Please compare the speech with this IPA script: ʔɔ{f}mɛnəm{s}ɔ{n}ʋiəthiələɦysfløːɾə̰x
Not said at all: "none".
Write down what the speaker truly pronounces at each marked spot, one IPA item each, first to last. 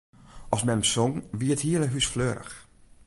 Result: s, s, ŋ

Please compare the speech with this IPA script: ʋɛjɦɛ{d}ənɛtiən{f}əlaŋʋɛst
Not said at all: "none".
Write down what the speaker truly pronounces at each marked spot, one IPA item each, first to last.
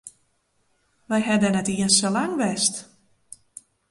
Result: d, s

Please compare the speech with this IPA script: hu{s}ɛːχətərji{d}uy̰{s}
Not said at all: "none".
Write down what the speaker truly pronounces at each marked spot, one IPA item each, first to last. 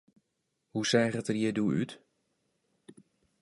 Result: s, d, t

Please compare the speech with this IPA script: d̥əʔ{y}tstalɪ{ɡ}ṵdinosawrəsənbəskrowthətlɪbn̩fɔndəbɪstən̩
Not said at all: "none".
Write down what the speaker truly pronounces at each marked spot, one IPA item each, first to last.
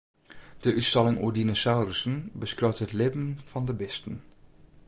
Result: y, ŋ

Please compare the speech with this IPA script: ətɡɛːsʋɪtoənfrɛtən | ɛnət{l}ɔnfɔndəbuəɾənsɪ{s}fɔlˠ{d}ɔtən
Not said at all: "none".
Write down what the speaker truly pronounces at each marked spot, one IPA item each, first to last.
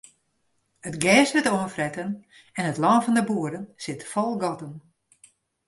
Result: l, t, ɡ

